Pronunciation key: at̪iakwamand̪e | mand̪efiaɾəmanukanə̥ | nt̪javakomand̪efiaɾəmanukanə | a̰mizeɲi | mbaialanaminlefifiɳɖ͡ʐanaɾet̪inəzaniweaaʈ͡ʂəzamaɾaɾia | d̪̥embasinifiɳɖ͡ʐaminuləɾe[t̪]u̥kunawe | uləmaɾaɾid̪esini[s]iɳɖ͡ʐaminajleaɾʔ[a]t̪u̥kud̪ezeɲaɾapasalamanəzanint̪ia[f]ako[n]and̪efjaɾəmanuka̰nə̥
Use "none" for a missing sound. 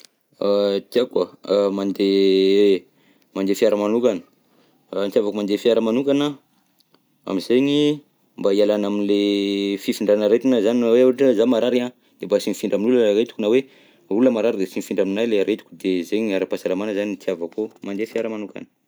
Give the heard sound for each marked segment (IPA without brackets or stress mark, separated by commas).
t̪, f, e, v, m